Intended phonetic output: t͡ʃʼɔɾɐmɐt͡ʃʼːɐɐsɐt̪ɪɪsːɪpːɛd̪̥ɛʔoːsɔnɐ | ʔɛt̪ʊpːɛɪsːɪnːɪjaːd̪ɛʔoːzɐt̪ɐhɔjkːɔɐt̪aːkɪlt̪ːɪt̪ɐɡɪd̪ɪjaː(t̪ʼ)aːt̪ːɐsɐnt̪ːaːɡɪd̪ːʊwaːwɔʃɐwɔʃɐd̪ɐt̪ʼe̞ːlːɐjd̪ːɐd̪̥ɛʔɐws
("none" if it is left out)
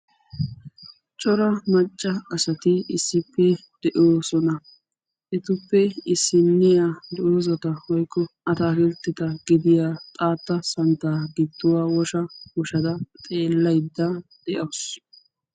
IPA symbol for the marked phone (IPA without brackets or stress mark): t̪ʼ